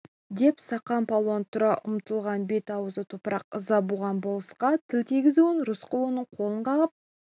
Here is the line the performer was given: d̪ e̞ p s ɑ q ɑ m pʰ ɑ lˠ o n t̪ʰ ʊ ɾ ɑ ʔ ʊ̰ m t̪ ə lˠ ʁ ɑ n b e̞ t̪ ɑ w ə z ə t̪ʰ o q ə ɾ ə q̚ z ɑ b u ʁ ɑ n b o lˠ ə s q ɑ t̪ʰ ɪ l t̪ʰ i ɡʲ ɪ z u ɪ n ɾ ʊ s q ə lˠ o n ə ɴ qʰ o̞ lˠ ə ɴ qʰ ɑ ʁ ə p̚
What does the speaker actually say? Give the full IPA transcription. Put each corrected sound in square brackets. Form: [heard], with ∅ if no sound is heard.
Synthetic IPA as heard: d̪ e̞ p s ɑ q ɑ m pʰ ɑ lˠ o n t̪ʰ ʊ ɾ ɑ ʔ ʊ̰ m t̪ ə lˠ ʁ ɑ n b e̞ t̪ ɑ w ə z ə t̪ʰ o [p] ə ɾ [ɑ] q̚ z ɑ b u ʁ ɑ n b o lˠ ə s q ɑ t̪ʰ ɪ l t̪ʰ i ɡʲ ɪ z u ɪ n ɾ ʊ s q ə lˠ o n ə ɴ qʰ o̞ lˠ ə ɴ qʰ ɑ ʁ ə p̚